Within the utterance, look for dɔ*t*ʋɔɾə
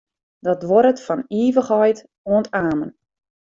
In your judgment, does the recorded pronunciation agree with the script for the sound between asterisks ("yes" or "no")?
yes